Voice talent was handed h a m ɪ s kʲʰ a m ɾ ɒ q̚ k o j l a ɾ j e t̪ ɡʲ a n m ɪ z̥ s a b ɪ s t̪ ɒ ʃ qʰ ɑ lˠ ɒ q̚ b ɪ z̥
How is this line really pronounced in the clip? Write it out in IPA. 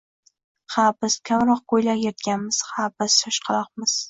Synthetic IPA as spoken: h a b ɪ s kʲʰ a m ɾ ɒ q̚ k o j l a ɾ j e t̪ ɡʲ a n m ɪ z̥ h a b ɪ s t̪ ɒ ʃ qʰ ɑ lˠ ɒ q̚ m ɪ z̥